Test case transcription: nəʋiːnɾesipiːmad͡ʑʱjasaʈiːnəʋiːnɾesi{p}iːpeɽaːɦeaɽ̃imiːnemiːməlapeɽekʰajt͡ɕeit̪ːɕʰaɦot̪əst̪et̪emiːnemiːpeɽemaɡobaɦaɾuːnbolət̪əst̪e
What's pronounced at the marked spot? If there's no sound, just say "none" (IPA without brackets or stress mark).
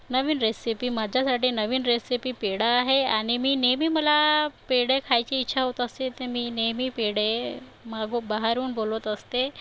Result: p